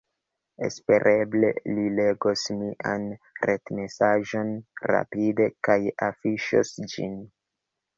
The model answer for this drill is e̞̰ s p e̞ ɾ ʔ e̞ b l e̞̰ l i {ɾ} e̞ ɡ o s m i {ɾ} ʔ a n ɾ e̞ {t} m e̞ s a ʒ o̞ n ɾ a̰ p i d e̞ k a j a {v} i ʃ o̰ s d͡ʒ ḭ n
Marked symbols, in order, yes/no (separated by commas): no, no, yes, no